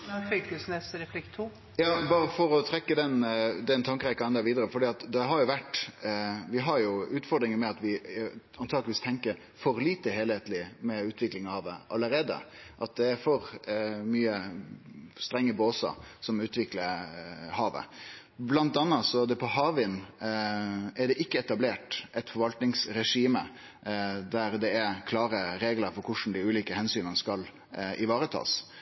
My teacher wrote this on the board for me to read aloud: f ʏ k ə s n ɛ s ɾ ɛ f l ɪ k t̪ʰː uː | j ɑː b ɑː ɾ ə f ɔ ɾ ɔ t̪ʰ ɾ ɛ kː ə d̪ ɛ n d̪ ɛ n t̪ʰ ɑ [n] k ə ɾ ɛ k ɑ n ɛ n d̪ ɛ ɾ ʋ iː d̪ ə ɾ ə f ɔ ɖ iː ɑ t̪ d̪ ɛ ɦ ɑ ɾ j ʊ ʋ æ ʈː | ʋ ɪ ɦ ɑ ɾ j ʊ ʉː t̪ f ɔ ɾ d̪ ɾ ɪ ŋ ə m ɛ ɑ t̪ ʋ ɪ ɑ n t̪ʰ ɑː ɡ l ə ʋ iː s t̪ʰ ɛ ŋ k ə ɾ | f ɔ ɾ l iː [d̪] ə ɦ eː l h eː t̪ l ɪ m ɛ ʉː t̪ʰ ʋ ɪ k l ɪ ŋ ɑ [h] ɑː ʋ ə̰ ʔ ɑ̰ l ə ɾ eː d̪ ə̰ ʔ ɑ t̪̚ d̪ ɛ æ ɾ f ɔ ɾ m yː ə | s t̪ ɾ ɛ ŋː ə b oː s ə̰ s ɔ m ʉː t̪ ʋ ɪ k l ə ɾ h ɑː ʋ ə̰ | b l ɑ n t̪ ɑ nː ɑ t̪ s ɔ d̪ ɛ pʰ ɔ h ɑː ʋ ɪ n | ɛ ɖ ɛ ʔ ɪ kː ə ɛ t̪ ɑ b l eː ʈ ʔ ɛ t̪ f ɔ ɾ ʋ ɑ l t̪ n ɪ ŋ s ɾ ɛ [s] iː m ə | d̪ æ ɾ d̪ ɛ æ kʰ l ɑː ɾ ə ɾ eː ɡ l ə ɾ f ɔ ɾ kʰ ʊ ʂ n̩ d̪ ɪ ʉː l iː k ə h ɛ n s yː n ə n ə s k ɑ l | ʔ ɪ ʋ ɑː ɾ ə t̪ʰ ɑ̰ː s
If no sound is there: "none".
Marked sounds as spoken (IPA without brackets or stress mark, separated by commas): ŋ, t̪, h, ʂ